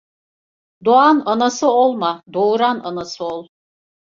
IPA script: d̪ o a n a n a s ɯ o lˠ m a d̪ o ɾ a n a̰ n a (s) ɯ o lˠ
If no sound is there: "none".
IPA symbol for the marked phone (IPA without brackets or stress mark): s